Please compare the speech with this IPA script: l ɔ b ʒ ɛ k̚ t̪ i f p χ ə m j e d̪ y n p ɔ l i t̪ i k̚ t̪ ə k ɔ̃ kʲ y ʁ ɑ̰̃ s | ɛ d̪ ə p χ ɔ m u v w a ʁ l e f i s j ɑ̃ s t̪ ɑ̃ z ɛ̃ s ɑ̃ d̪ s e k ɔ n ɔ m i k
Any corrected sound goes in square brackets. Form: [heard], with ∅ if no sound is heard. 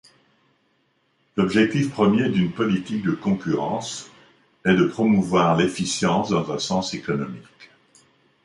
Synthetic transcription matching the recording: l ɔ b ʒ ɛ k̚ t̪ i f p χ ə m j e d̪ y n p ɔ l i t̪ i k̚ [d̪] ə k ɔ̃ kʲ y ʁ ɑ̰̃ s | ɛ d̪ ə p χ ɔ m u v w a ʁ l e f i s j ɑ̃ s [d̪] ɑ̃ z ɛ̃ s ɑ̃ [∅] s e k ɔ n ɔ m i k

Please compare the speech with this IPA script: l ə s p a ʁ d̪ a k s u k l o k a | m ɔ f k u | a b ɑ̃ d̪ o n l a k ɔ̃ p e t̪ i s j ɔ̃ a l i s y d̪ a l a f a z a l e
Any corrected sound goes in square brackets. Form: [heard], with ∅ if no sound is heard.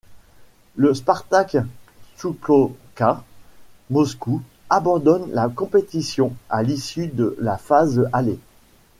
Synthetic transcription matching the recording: l ə s p a ʁ [t̪] a k s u k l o k a | m ɔ [s] k u | a b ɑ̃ d̪ [ɔ] n l a k ɔ̃ p e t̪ i s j ɔ̃ a l i s y d̪ [ə] l a f a z a l e

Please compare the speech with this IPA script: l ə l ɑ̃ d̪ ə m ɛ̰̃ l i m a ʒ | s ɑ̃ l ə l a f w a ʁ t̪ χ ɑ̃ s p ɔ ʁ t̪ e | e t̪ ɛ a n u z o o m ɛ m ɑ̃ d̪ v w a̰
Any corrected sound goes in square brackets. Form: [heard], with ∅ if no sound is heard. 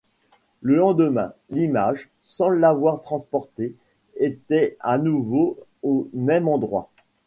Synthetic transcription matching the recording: l ə l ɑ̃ d̪ ə m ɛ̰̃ l i m a ʒ | s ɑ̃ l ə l a [v] w a ʁ t̪ χ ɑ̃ s p ɔ ʁ t̪ e | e t̪ ɛ a n u [v] o o m ɛ m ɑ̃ d̪ [ʁ] w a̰

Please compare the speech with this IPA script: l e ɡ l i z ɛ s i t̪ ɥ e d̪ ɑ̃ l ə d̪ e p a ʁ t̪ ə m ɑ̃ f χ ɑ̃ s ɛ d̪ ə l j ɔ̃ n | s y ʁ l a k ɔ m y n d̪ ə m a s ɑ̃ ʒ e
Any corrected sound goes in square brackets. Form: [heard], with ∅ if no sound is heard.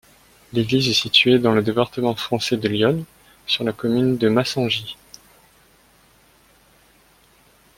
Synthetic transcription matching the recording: l e ɡ l i z ɛ s i t̪ ɥ e d̪ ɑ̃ l ə d̪ e p a ʁ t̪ ə m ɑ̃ f χ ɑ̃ s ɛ d̪ ə l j [ɔ] n | s y ʁ l a k ɔ m y n d̪ ə m a s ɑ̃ ʒ [i]

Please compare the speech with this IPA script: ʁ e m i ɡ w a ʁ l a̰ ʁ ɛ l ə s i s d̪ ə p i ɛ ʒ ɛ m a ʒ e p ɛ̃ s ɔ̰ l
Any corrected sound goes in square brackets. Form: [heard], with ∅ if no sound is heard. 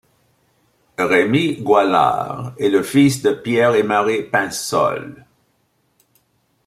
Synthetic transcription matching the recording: ʁ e m i ɡ w a [∅] l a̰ ʁ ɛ l ə [f] i s d̪ ə p [j] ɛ [ʁ] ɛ m a [ʁ] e p ɛ̃ s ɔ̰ l

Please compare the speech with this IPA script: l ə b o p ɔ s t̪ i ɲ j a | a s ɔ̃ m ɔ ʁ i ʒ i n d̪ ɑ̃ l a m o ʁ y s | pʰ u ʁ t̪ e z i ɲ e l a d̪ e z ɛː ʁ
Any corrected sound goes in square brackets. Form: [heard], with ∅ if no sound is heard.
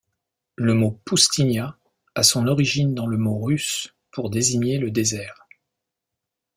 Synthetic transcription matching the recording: l ə [m] o p [u] s t̪ i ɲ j a | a s ɔ̃ [n] ɔ ʁ i ʒ i n d̪ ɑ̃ l [ə] m o ʁ y s | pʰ u ʁ [d̪] e z i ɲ e l [ə] d̪ e z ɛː ʁ

